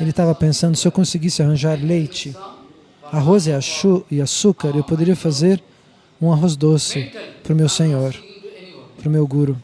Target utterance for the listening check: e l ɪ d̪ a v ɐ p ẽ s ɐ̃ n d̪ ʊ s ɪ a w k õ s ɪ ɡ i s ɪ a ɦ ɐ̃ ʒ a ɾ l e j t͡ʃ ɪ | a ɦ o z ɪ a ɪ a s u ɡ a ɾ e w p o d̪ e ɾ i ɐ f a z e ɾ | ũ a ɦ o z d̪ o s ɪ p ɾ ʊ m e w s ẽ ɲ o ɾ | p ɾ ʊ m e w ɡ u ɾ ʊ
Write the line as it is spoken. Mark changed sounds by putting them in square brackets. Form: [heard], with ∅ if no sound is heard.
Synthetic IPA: e l ɪ [t̪] a v ɐ p ẽ s ɐ̃ n d̪ ʊ s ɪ [e] w k õ s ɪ ɡ i s ɪ a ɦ ɐ̃ ʒ a ɾ l e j t͡ʃ ɪ | a ɦ o z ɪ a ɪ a s u [k] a ɾ e w p o d̪ e ɾ i ɐ f a z e ɾ | ũ a ɦ o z d̪ o s ɪ p ɾ ʊ m e w s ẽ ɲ o ɾ | p ɾ ʊ m e w ɡ u ɾ ʊ